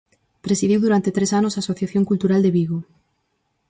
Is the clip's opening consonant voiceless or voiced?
voiceless